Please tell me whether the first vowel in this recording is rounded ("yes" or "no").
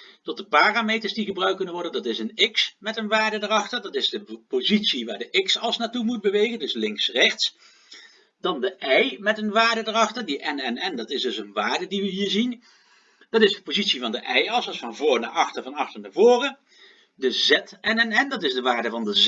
yes